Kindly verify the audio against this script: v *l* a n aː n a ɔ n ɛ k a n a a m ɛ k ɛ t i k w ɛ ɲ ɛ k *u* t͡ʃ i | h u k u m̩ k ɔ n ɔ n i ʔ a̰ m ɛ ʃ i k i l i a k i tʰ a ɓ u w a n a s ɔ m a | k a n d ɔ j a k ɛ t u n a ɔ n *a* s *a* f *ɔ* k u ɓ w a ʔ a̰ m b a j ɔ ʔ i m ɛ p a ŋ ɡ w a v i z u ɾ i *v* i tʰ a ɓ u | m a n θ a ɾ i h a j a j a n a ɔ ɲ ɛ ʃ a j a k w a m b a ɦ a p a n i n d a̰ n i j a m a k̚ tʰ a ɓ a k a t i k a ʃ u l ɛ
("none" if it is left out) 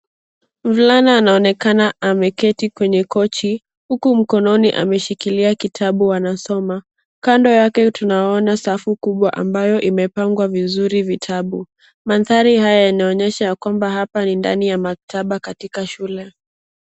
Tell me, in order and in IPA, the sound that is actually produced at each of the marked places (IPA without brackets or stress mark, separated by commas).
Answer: l, ɔ, a, a, u, v